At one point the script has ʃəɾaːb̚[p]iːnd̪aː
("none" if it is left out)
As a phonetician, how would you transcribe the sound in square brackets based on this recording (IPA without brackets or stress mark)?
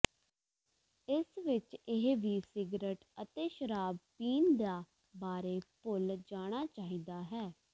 p